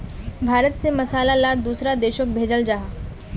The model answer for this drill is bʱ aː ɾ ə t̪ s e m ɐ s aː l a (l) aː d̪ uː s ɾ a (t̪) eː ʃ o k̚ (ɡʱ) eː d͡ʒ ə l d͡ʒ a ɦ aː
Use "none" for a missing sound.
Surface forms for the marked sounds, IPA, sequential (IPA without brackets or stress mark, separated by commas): l, d̪, bʱ